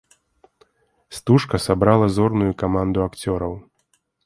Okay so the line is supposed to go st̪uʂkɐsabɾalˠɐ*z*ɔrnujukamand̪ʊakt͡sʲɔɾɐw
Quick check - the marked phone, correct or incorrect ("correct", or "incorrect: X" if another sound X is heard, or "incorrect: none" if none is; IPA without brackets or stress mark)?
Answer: correct